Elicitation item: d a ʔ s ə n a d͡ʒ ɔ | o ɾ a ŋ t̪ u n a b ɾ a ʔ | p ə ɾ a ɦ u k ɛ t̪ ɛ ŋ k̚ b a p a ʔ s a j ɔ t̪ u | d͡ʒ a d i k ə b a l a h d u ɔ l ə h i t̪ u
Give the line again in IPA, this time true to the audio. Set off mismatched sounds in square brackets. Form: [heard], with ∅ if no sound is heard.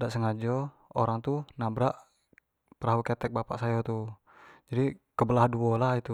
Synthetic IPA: d a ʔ s ə [ŋ] a d͡ʒ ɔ | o ɾ a ŋ t̪ u n a b ɾ a ʔ | p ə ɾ a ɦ u k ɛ t̪ ɛ [∅] k̚ b a p a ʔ s a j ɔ t̪ u | d͡ʒ a d i k ə b [ə] l a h d u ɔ l [a] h i t̪ u

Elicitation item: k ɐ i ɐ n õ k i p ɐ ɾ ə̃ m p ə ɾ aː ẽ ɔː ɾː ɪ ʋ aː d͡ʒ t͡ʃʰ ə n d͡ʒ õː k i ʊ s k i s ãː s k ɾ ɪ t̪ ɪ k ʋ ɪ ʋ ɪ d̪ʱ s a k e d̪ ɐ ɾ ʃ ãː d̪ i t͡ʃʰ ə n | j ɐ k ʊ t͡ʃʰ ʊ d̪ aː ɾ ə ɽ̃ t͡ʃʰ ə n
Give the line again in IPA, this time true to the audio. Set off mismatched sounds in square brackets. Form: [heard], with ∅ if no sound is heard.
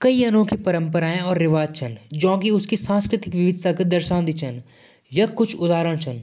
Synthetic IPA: k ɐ i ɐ n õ k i p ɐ ɾ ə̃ m p ə ɾ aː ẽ ɔː ɾː ɪ ʋ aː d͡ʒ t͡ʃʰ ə n d͡ʒ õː k i ʊ s k i s ãː s k ɾ ɪ t̪ ɪ k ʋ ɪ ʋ ɪ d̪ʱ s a k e d̪ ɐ ɾ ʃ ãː d̪ i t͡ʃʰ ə n | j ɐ k ʊ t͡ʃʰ ʊ d̪ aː ɾ ə ɽ̃ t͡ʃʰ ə n

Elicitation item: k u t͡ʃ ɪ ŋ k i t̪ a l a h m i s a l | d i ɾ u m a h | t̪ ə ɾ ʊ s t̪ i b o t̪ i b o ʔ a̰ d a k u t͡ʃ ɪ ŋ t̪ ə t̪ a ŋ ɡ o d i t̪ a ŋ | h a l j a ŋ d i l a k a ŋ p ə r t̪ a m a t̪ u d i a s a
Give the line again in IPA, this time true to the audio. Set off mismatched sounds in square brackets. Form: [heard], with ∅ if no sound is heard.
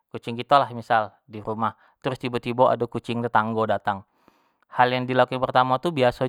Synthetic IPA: k u t͡ʃ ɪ ŋ k i t̪ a l a h m i s a l | d i ɾ u m a h | t̪ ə ɾ ʊ s t̪ i b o t̪ i b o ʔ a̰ d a k u t͡ʃ ɪ ŋ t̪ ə t̪ a ŋ ɡ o d [a] t̪ a ŋ | h a l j a ŋ d i l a k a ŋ p ə r t̪ a m a t̪ u [b] i a s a

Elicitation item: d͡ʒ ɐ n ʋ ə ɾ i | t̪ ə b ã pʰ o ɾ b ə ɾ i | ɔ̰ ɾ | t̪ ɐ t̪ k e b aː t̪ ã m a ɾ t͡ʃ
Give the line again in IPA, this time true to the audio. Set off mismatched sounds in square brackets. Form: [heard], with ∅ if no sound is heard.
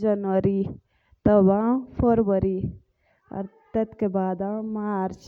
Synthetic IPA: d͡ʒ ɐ n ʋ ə ɾ i | t̪ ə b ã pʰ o ɾ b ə ɾ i | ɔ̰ ɾ | t̪ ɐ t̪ k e b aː [d̪] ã m a ɾ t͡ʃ

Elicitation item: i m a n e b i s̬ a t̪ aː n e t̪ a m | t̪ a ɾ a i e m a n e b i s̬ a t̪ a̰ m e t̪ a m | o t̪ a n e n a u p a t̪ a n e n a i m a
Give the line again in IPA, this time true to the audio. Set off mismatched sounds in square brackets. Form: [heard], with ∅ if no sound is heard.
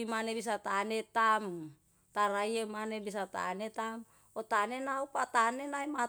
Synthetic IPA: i m a n e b i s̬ a t̪ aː n e t̪ a m | t̪ a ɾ a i e m a n e b i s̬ a t̪ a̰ [n] e t̪ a m | o t̪ a n e n a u p a t̪ a n e n a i m a

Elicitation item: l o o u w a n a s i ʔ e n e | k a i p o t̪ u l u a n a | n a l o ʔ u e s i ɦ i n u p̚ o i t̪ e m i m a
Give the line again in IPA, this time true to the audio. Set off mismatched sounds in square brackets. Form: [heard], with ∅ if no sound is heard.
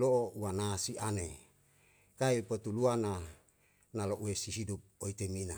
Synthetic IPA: l o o u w a n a s i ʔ [a] n e | k a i p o t̪ u l u a n a | n a l o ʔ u e s i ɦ i [d] u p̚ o i t̪ e m i [n] a

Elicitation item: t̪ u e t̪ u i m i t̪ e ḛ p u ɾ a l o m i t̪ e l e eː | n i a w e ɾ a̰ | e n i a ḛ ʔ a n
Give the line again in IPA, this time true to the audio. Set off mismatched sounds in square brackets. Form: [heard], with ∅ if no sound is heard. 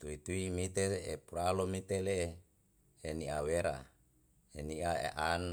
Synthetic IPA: t̪ u [i] t̪ u i m i t̪ e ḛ p u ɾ a l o m i t̪ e l e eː | n i a w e ɾ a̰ | e n i a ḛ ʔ a n

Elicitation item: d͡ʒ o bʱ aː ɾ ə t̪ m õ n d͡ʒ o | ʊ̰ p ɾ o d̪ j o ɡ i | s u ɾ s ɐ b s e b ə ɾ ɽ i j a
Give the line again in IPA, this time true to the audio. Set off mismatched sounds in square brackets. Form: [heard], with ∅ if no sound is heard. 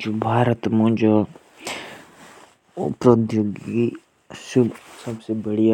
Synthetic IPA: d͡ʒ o bʱ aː ɾ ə t̪ m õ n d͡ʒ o | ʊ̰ p ɾ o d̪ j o ɡ i | s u [∅] s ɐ b s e b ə [∅] ɽ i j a

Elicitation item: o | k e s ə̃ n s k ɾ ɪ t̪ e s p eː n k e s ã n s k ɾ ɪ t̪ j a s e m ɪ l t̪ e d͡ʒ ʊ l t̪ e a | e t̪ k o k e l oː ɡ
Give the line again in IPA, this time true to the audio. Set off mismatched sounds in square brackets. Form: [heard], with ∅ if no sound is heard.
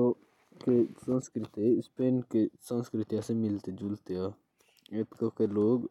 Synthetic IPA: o | k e s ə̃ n s k ɾ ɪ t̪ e s p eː n k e s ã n s k ɾ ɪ t̪ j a s e m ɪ l t̪ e d͡ʒ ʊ l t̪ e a | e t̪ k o k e l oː ɡ

